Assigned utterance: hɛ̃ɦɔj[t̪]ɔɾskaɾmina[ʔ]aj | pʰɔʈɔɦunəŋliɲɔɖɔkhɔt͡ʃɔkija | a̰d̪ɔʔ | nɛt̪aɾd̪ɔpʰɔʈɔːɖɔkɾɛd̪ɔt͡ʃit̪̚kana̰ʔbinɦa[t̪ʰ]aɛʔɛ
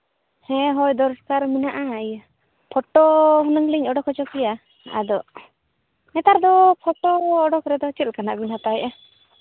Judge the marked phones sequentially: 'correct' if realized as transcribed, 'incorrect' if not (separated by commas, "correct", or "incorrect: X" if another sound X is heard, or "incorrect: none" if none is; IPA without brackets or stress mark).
incorrect: d̪, correct, incorrect: t̪